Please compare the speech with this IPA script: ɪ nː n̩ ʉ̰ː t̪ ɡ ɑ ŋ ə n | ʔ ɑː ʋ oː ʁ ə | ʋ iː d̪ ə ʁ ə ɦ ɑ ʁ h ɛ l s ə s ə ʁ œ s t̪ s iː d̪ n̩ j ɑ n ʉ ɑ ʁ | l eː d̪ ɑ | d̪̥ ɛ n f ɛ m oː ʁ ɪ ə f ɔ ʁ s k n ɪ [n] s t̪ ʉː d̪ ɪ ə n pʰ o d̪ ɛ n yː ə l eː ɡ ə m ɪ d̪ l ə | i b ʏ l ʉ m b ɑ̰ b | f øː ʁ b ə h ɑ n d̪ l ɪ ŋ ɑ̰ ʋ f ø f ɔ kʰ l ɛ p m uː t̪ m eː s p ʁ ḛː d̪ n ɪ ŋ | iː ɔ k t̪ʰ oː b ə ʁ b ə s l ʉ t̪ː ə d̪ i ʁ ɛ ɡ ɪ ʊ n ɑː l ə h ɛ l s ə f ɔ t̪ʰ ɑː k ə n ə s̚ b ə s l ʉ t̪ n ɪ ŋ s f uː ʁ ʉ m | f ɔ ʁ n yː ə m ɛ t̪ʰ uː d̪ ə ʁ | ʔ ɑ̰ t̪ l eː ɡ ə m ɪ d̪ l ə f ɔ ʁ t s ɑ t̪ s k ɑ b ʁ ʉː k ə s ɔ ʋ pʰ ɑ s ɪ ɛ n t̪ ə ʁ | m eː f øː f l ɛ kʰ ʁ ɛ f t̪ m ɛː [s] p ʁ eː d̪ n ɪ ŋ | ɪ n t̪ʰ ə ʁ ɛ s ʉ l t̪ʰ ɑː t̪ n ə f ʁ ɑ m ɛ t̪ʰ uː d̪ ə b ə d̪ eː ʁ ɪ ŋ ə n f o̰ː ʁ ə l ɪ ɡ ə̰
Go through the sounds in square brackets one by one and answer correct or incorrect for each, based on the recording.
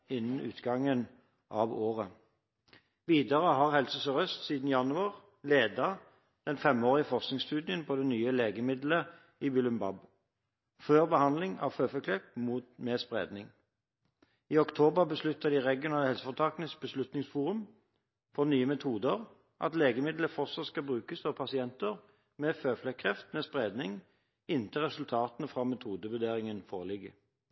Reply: incorrect: ŋ, correct

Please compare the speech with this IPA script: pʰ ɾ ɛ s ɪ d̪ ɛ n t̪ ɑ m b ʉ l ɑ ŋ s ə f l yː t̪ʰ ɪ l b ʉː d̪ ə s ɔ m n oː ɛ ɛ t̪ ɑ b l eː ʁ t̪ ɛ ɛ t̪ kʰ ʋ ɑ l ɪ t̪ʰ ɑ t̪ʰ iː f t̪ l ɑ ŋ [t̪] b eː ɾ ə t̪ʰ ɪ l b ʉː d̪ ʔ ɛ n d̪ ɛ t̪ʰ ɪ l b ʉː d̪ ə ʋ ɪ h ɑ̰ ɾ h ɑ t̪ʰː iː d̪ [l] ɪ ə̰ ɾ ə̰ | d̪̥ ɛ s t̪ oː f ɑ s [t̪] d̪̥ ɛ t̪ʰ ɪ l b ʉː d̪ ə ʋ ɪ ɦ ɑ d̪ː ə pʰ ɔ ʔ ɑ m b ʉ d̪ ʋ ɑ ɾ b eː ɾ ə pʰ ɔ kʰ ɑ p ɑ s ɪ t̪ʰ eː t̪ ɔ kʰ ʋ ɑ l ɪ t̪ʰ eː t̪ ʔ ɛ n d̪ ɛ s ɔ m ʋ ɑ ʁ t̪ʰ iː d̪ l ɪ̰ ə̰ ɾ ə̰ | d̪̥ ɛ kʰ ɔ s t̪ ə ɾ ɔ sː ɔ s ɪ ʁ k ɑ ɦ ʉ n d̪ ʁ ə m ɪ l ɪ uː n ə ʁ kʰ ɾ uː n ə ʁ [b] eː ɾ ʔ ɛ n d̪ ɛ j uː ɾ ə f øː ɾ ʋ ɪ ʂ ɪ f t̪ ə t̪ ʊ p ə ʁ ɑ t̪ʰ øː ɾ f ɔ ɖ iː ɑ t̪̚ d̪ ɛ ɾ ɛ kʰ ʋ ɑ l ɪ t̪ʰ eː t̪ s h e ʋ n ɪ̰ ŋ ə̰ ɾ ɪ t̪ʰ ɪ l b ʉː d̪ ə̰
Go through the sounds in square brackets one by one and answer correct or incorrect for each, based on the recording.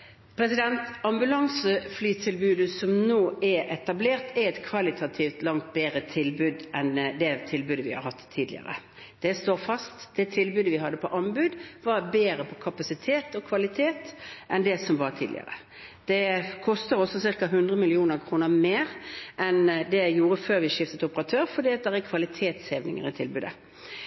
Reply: correct, correct, correct, incorrect: m

